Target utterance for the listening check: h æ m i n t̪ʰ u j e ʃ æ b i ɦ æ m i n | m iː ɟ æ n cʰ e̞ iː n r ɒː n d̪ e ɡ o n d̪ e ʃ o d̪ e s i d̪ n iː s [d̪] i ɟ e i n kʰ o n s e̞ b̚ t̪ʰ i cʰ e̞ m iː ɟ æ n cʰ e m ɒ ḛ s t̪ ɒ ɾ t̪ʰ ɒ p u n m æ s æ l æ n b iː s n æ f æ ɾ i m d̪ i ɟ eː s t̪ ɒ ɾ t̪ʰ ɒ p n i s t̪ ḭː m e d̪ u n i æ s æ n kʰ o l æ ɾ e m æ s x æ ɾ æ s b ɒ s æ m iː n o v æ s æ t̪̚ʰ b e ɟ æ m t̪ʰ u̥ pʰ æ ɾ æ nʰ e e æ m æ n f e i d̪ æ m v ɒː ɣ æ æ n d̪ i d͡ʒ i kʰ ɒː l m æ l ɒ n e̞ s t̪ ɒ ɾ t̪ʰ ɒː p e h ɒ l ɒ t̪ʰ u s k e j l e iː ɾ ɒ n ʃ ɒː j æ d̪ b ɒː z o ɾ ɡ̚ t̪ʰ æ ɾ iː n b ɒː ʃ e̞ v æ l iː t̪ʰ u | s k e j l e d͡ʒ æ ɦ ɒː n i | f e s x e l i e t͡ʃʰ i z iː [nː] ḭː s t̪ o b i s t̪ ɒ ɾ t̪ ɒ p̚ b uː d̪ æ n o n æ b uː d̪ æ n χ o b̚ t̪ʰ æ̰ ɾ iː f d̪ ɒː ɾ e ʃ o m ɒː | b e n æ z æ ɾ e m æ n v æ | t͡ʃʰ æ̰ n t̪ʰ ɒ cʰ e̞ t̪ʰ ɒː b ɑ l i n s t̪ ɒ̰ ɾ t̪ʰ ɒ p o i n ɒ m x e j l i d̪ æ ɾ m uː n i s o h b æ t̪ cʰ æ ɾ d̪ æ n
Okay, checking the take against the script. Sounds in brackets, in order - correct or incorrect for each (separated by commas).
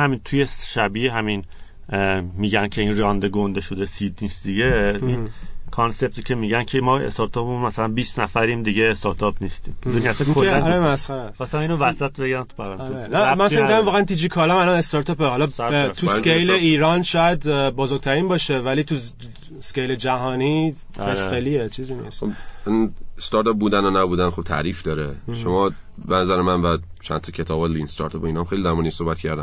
correct, incorrect